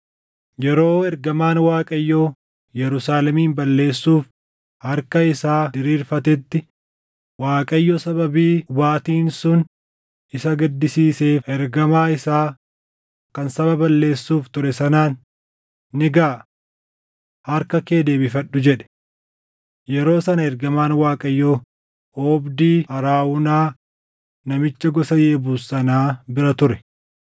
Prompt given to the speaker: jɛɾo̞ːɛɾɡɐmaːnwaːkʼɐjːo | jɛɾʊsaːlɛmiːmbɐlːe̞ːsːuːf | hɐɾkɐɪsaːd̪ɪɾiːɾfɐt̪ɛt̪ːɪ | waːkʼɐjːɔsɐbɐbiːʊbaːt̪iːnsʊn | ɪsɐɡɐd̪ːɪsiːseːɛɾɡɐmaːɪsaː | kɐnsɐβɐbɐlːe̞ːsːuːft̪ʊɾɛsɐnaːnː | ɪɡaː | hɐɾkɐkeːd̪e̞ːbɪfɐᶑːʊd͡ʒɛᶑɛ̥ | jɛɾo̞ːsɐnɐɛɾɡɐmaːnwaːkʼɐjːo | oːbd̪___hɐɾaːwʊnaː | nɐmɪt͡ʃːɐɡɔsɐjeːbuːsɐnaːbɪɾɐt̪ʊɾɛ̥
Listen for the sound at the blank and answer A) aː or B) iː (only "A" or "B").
B